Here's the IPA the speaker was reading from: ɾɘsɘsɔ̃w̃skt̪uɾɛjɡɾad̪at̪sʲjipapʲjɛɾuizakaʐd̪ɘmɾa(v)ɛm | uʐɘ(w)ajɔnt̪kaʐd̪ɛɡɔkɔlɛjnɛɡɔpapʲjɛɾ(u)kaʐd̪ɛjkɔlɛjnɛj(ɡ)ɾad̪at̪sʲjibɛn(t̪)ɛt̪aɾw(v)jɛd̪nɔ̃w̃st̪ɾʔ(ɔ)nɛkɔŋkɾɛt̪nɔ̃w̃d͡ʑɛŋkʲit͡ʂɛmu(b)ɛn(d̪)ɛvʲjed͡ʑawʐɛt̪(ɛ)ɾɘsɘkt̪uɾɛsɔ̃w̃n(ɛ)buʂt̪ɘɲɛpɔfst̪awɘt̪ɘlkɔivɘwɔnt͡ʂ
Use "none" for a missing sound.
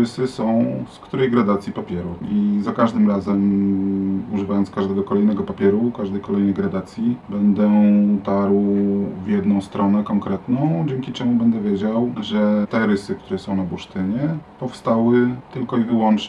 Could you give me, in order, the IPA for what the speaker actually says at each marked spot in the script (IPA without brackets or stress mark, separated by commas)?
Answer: z, v, u, ɡ, d̪, v, ɔ, b, d̪, ɛ, a